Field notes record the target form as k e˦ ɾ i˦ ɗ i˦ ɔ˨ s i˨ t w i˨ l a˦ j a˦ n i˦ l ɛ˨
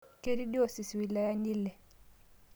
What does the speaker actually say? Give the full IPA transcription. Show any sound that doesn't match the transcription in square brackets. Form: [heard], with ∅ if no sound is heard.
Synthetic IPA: k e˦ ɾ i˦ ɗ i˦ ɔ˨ s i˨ [s] w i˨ l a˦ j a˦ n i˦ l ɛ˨